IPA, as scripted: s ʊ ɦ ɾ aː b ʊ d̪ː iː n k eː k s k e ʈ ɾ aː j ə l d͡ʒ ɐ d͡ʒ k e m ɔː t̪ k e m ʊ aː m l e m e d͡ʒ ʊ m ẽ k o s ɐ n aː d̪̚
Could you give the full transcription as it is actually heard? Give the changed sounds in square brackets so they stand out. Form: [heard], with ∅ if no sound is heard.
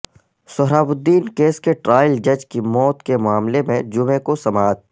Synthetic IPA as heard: s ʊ ɦ ɾ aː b ʊ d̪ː iː n k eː [∅] s k e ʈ ɾ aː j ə l d͡ʒ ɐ d͡ʒ k [i] m ɔː t̪ k e m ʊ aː m l e m [ẽ] d͡ʒ ʊ m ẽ k o s ɐ [m] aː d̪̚